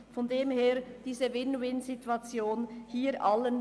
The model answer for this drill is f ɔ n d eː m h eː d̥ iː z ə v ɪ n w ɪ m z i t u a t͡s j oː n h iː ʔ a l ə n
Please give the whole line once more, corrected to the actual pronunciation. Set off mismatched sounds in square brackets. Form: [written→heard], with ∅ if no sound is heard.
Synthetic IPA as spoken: f ɔ n d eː m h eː d̥ iː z ə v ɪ n w ɪ [m→n] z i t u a t͡s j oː n h iː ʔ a l ə n